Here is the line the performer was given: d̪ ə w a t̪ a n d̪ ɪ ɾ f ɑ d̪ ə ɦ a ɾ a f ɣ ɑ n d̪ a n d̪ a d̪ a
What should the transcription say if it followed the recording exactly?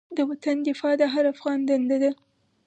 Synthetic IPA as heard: d̪ ə w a t̪ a n d̪ ɪ f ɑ d̪ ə ɦ a ɾ a f ɣ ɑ n d̪ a n d̪ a d̪ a